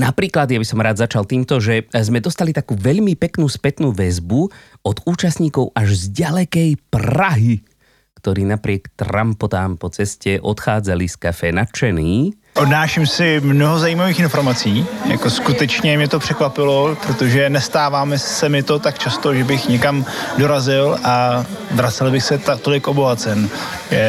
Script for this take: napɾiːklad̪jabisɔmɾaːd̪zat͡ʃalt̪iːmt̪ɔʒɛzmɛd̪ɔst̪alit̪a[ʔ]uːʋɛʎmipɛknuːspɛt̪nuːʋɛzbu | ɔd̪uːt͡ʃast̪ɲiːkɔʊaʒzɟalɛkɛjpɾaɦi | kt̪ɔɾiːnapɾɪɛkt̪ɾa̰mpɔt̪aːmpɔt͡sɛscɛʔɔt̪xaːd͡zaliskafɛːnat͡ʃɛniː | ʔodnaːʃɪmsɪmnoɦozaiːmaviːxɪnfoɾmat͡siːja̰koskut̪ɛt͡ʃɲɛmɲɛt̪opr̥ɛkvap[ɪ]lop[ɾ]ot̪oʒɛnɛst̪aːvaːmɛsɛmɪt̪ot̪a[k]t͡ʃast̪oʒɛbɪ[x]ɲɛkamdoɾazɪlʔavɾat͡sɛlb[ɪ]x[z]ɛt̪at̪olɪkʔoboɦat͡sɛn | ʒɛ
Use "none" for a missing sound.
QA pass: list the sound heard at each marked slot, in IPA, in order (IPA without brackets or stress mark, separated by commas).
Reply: k, ɪ, ɾ, k, x, ɪ, s